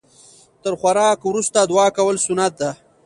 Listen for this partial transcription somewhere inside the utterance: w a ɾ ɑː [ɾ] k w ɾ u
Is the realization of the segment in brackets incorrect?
yes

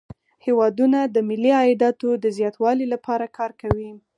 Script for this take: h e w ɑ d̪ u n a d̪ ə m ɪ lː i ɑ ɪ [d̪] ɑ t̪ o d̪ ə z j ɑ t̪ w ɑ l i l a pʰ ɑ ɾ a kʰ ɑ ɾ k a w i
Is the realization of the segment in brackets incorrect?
no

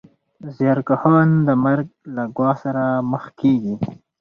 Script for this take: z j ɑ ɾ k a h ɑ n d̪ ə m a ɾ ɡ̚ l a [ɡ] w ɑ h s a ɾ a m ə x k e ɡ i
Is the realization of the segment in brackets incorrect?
no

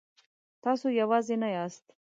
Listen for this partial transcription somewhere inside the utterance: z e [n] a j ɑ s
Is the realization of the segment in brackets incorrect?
no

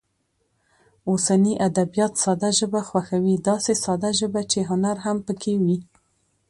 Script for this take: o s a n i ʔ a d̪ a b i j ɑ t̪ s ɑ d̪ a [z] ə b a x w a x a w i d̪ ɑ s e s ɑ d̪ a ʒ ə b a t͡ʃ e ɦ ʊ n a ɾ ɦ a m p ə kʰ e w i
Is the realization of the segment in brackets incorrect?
yes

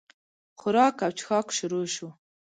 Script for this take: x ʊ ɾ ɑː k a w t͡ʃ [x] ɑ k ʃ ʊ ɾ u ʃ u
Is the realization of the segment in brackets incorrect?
no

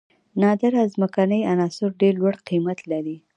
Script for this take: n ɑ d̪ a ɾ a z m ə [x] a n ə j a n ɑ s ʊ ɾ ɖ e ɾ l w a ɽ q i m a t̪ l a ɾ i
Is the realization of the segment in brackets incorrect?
yes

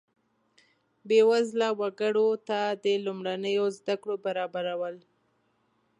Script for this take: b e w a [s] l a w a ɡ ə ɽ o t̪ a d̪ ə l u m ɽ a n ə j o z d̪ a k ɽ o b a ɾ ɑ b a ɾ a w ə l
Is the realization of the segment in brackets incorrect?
yes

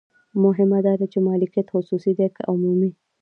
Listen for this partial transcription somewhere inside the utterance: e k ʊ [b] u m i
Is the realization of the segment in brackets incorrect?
yes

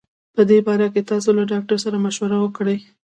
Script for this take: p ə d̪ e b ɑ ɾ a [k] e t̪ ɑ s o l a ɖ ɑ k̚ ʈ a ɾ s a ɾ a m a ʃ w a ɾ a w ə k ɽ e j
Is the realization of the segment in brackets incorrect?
no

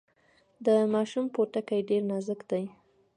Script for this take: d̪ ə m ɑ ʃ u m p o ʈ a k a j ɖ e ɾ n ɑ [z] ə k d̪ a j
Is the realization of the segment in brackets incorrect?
no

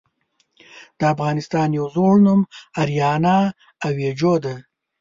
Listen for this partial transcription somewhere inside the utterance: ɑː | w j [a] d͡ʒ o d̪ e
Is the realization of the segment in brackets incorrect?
yes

